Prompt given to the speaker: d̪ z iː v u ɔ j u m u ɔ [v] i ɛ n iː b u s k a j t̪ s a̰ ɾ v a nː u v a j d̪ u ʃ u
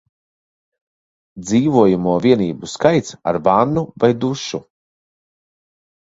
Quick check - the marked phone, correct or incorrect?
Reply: correct